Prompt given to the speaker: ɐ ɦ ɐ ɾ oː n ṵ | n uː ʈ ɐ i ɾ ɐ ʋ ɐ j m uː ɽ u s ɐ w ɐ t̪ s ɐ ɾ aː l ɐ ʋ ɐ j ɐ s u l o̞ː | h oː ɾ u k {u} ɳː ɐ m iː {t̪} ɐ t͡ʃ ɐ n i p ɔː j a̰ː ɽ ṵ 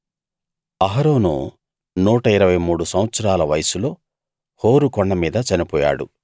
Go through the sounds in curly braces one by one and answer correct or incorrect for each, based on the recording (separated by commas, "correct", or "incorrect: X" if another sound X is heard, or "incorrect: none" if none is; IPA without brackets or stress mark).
incorrect: ɔ, incorrect: d̪